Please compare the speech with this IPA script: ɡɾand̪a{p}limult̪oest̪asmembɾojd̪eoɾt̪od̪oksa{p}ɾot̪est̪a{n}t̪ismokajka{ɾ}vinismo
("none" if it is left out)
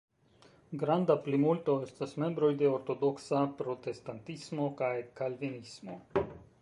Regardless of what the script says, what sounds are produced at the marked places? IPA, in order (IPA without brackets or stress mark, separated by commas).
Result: p, p, n, l